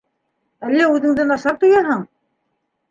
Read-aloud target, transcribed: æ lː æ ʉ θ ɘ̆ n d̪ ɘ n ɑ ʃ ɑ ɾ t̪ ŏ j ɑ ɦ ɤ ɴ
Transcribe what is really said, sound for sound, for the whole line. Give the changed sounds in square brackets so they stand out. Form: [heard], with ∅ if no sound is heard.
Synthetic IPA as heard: æ lː æ ʉ [ð] ɘ̆ [ŋ] d̪ ɘ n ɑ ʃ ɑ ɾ t̪ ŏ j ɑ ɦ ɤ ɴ

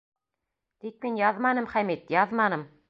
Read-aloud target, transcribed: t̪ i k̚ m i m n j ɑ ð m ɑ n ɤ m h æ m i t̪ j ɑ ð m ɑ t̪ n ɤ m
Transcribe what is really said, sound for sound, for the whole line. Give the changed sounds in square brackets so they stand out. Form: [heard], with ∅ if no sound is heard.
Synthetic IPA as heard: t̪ i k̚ m i [∅] n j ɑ ð m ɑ n ɤ m [χ] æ m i t̪ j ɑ ð m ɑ [∅] n ɤ m

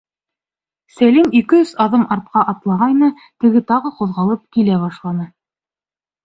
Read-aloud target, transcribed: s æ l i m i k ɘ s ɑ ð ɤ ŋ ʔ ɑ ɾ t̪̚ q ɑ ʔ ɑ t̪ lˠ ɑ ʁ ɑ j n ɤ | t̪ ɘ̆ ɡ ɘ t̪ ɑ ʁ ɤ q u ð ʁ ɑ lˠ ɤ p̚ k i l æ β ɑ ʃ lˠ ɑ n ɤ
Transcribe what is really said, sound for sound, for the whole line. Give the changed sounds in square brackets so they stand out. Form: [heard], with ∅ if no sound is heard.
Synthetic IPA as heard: s æ l i m i k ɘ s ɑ ð ɤ [m] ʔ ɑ ɾ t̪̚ q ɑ ʔ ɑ t̪ lˠ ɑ ʁ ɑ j n ɤ | t̪ ɘ̆ ɡ ɘ t̪ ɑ ʁ ɤ q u ð ʁ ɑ lˠ ɤ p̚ k i l æ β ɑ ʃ lˠ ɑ n ɤ

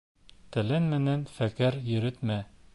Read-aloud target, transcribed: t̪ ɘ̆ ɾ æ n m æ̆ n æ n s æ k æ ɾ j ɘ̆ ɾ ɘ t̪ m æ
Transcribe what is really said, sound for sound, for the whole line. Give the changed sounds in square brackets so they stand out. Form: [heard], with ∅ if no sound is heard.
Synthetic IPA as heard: t̪ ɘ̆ [l] æ n m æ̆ n æ n [f] æ k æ ɾ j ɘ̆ ɾ ɘ t̪ m æ

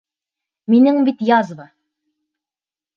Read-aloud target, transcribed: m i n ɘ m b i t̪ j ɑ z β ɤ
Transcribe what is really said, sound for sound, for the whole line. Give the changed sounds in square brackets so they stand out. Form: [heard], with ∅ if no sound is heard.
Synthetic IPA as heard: m i n ɘ [ŋ] b i t̪ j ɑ z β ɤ

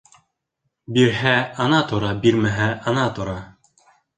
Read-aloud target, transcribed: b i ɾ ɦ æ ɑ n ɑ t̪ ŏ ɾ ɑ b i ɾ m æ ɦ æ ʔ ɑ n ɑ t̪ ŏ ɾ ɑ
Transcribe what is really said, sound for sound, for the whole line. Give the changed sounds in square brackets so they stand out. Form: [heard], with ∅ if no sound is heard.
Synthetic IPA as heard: b i ɾ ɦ æ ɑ n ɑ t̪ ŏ ɾ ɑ b i ɾ m æ ɦ æ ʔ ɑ n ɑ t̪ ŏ ɾ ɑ

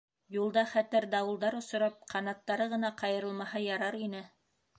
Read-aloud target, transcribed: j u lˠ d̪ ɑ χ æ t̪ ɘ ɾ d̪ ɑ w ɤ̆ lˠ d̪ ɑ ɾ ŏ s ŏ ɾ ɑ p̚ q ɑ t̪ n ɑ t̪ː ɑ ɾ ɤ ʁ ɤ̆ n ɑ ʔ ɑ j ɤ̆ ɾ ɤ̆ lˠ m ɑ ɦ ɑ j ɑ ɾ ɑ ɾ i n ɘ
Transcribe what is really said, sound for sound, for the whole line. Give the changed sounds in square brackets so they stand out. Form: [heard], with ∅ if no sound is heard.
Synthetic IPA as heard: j u lˠ d̪ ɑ χ æ t̪ ɘ ɾ d̪ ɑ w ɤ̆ lˠ d̪ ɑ ɾ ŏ s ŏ ɾ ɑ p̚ q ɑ [∅] n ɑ t̪ː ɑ ɾ ɤ ʁ ɤ̆ n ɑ [q] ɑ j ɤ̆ ɾ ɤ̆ lˠ m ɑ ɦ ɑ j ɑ ɾ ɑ ɾ i n ɘ

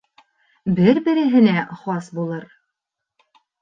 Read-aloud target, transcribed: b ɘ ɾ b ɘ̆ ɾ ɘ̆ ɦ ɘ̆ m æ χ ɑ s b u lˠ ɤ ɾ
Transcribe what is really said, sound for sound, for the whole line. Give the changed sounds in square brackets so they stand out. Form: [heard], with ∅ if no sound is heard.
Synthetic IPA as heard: b ɘ ɾ b ɘ̆ ɾ ɘ̆ ɦ ɘ̆ [n] æ χ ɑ s b u lˠ ɤ ɾ

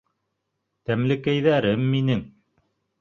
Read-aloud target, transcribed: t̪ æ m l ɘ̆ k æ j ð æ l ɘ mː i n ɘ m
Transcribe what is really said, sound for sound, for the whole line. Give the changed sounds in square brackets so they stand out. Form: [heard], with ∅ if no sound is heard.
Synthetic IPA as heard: t̪ æ m l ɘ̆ k æ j ð æ [ɾ] ɘ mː i n ɘ [ŋ]

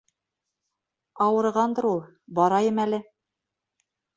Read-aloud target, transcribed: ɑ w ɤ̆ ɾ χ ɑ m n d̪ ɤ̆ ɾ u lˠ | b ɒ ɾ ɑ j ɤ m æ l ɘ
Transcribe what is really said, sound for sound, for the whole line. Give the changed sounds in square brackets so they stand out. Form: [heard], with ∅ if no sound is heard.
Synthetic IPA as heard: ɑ w ɤ̆ ɾ [ʁ] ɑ [∅] n d̪ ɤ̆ ɾ u lˠ | b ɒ ɾ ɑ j ɤ m æ l ɘ

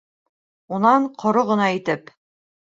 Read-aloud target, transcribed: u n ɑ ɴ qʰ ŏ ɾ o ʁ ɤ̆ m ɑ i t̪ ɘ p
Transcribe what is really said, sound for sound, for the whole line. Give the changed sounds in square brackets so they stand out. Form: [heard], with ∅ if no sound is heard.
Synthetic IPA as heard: u n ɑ ɴ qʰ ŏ ɾ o ʁ ɤ̆ [n] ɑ i t̪ ɘ p

